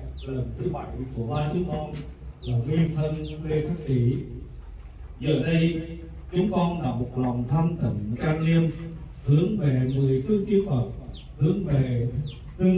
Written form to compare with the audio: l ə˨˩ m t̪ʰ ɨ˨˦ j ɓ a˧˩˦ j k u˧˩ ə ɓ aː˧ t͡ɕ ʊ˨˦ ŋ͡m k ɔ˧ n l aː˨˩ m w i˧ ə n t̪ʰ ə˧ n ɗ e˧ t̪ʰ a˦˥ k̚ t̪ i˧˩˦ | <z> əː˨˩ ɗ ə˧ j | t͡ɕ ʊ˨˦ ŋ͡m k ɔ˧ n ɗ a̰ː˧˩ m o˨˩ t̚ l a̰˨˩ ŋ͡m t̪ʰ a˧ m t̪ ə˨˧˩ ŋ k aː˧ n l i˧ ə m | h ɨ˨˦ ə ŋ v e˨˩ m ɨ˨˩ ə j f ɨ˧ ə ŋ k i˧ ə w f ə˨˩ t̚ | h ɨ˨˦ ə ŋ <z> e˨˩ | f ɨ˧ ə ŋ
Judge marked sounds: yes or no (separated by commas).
yes, no